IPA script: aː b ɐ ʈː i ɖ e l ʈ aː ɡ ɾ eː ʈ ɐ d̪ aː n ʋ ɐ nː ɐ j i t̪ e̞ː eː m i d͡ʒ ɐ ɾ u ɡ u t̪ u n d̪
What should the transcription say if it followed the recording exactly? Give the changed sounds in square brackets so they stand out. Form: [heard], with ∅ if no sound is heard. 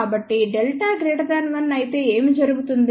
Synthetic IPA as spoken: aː b ɐ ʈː i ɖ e l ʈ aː ɡ ɾ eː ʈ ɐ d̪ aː n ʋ ɐ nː ɐ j i t̪ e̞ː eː m i d͡ʒ ɐ ɾ u ɡ u t̪ u n d̪